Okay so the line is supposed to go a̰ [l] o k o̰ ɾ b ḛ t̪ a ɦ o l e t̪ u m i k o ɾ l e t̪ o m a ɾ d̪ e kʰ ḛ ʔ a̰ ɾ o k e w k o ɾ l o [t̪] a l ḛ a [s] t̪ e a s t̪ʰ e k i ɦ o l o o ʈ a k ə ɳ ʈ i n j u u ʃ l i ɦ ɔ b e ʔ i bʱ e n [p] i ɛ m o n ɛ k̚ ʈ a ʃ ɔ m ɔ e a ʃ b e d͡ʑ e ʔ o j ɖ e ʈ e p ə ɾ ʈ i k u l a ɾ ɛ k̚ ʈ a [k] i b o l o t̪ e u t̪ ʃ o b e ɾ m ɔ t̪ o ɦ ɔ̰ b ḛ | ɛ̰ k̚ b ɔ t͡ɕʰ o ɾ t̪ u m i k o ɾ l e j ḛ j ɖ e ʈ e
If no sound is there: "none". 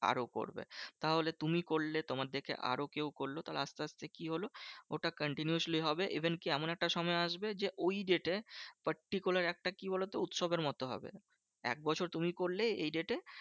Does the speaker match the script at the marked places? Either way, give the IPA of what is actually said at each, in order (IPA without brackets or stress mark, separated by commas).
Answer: ɾ, t̪, s, k, k